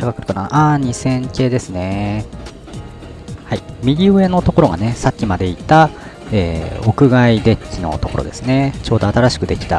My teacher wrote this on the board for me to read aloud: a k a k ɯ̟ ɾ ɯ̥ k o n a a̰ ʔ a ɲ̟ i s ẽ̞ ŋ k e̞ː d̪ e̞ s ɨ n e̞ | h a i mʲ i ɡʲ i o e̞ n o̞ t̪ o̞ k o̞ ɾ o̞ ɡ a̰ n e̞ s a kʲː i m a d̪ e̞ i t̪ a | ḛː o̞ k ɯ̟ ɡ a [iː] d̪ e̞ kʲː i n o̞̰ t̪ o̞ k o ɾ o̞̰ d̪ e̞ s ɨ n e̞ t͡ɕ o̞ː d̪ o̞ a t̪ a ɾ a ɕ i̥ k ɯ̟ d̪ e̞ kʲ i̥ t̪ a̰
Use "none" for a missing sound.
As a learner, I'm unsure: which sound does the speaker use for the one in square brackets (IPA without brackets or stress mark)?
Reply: i